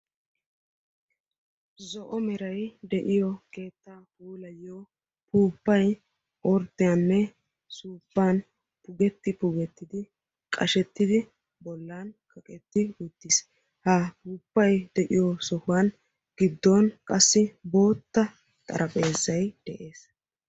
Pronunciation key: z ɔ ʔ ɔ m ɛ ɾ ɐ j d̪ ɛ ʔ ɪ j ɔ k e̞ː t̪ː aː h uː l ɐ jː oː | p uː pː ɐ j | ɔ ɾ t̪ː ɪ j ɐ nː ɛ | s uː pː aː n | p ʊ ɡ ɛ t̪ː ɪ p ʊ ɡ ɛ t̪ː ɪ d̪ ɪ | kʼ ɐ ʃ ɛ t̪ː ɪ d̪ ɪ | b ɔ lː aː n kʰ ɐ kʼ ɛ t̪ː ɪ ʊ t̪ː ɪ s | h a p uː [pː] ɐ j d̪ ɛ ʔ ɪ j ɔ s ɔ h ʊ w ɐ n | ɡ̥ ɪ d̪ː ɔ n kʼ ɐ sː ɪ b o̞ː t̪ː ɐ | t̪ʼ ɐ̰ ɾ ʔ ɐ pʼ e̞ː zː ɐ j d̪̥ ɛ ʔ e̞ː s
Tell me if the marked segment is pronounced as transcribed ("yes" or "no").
yes